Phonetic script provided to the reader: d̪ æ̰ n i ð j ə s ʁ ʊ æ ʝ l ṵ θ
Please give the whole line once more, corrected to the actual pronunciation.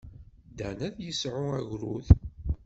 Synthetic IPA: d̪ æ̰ n æ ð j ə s ʕ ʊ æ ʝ ɾ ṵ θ